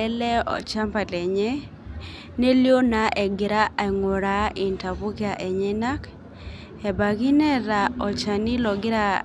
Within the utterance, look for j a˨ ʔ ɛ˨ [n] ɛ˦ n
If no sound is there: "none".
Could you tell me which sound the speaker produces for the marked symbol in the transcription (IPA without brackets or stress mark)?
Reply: ɲ